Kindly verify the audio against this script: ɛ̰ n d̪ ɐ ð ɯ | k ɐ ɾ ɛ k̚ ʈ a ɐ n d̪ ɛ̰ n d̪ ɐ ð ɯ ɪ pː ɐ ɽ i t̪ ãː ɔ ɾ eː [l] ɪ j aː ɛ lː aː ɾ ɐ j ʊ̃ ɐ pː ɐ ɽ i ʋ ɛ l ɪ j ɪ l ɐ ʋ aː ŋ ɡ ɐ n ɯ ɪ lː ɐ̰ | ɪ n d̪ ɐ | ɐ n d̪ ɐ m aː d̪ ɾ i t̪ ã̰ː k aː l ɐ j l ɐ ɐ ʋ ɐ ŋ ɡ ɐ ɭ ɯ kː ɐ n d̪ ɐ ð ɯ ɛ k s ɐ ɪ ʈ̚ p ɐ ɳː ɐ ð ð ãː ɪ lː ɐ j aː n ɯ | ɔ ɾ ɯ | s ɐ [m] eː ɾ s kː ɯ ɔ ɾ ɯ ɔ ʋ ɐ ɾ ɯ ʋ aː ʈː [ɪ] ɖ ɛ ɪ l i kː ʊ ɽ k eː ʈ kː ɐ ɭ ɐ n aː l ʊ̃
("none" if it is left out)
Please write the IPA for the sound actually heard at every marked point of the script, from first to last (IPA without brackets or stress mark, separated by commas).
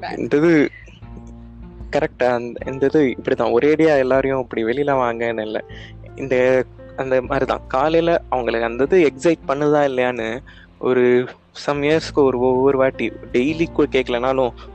ɽ, m, i